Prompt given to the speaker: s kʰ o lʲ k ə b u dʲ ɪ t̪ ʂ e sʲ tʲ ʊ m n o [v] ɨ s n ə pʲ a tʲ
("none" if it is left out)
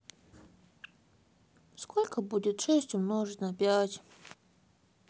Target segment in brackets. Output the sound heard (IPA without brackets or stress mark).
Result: ʐ